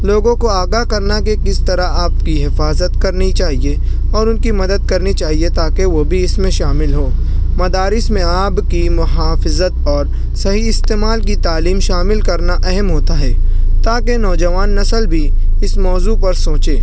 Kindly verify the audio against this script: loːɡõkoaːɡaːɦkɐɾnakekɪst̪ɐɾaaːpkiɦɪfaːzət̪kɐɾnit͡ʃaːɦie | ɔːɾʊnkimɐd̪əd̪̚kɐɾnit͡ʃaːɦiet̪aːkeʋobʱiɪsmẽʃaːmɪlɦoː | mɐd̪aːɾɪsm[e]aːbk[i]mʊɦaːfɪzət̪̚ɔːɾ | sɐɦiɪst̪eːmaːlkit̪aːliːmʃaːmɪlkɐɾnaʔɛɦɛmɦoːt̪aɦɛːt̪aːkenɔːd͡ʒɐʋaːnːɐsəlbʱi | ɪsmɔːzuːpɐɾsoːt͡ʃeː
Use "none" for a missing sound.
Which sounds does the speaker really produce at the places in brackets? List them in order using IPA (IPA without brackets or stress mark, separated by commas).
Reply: ẽ, i